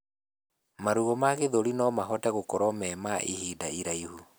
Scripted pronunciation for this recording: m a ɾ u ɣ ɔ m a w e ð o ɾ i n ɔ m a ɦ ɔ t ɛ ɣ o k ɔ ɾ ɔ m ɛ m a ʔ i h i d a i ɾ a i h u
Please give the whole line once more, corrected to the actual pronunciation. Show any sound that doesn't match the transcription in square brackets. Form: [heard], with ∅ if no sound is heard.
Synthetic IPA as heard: m a ɾ u ɣ ɔ m a [ɣ] e ð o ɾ i n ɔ m a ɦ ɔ t ɛ ɣ o k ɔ ɾ ɔ m ɛ m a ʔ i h i d a i ɾ a i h u